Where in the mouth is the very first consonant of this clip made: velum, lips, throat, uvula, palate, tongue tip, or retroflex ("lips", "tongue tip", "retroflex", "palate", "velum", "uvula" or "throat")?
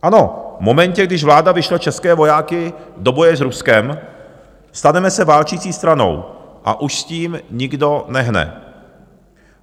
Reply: throat